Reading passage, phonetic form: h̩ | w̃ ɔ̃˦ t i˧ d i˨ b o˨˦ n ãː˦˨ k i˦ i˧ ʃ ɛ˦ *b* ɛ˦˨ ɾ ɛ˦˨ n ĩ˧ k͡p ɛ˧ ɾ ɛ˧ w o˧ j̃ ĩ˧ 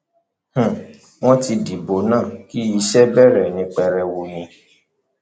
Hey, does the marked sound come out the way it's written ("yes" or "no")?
yes